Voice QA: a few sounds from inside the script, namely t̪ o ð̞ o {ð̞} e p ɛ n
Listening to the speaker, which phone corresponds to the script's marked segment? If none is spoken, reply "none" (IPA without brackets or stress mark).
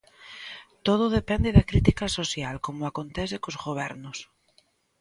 ð̞